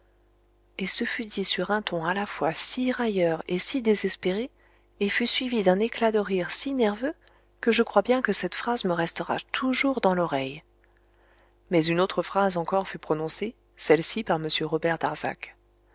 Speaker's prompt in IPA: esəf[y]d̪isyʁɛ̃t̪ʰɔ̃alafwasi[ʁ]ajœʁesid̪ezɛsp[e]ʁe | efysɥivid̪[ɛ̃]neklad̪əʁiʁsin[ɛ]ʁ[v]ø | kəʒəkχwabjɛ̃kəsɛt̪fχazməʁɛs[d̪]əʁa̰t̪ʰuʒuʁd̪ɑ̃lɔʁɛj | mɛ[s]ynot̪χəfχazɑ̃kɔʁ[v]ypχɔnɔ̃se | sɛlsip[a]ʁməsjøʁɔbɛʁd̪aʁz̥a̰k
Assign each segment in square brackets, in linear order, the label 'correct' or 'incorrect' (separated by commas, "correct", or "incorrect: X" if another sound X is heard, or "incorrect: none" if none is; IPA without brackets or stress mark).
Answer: correct, correct, correct, correct, correct, correct, incorrect: t̪, incorrect: z, incorrect: f, correct